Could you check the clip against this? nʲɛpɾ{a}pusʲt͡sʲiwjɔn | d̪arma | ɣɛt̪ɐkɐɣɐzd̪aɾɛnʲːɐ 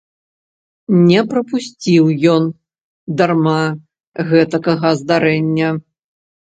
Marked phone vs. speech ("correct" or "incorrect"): incorrect